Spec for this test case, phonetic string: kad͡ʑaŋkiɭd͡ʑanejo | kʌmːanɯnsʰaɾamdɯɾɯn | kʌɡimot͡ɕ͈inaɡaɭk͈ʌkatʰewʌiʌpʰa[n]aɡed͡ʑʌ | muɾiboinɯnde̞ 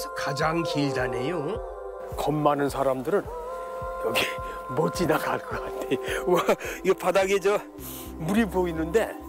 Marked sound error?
yes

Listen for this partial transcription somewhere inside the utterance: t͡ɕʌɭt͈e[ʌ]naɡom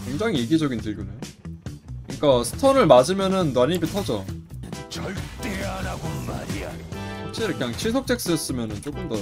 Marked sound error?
yes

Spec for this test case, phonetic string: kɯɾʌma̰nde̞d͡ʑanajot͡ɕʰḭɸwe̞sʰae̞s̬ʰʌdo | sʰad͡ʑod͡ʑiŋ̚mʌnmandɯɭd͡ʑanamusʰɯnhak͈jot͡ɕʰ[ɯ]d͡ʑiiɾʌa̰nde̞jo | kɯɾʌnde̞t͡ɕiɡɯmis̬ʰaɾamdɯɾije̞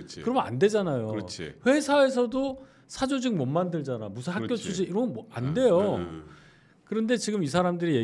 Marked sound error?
yes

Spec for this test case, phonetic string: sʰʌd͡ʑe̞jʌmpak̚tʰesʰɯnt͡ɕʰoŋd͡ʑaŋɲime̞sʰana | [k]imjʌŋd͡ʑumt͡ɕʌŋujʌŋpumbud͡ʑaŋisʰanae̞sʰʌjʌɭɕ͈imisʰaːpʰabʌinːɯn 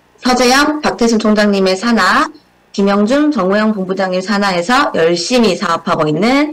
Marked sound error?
no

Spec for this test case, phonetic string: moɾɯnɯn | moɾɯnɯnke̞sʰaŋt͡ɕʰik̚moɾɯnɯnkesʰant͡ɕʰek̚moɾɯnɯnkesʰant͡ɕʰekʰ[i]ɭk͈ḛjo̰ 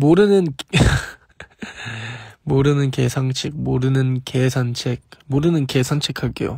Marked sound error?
yes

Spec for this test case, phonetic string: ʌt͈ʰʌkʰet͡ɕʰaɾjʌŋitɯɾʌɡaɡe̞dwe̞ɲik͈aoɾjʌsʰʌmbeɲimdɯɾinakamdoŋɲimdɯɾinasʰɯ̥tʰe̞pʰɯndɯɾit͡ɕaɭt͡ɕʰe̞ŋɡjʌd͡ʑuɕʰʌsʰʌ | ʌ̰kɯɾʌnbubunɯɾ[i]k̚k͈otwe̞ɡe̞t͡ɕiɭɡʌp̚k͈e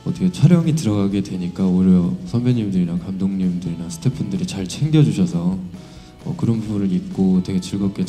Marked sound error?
no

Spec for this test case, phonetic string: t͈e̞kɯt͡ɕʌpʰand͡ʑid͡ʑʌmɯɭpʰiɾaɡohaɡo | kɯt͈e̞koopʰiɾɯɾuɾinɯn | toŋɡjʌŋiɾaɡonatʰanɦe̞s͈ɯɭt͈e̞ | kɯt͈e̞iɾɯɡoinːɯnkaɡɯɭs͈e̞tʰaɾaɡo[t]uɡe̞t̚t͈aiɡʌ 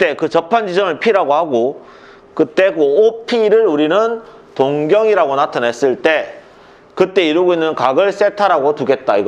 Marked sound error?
no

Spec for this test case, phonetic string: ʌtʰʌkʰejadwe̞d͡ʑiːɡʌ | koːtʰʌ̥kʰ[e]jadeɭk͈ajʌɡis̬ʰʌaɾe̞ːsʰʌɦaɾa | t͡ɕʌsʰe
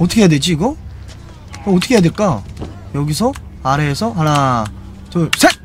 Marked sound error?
no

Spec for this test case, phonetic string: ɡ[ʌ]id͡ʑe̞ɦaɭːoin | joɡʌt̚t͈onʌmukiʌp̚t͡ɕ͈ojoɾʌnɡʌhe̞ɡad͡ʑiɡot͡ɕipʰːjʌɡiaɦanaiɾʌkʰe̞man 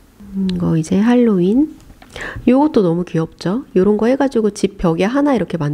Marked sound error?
no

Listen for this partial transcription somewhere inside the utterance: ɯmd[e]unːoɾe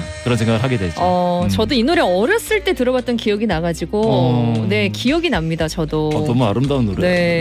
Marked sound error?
yes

